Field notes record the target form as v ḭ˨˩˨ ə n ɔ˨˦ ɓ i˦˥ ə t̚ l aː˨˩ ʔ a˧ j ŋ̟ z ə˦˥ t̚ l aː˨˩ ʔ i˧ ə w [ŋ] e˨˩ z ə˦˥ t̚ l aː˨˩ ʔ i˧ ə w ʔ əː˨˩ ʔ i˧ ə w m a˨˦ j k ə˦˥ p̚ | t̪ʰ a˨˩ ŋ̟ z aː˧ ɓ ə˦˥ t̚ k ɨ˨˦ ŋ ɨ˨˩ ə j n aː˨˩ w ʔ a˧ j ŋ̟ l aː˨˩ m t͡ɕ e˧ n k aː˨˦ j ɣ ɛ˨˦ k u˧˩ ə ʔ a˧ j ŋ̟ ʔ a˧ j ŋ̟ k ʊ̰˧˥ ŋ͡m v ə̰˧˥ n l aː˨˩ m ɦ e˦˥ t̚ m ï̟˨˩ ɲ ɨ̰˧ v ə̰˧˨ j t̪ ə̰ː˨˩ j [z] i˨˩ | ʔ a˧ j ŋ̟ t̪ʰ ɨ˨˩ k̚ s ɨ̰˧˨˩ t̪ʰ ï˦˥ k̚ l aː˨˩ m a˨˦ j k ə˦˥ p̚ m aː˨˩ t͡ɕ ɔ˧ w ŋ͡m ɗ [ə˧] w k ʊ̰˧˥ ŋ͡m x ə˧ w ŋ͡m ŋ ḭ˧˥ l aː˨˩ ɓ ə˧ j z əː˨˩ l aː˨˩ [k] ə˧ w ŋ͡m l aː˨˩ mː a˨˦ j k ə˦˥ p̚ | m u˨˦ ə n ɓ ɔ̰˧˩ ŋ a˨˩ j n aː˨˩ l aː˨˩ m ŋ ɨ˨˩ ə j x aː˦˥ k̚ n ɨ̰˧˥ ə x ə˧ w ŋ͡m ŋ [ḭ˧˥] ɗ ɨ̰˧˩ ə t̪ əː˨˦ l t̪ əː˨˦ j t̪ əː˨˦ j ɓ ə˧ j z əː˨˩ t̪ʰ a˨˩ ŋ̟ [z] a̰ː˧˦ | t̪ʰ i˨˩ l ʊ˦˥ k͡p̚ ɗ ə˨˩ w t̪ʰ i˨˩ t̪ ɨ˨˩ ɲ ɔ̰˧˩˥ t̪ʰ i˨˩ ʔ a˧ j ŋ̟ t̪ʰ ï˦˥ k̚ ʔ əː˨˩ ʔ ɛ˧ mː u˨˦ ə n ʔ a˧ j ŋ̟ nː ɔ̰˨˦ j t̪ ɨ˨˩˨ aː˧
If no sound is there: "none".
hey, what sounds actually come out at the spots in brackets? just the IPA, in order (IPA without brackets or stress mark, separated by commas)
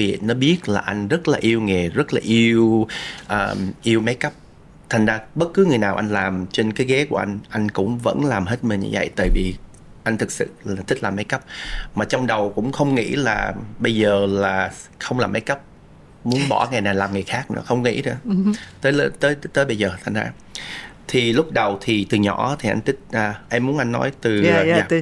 ŋ, v, ə˨˩, x, ḭ˧˥, z